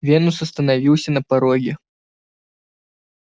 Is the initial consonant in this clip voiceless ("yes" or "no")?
no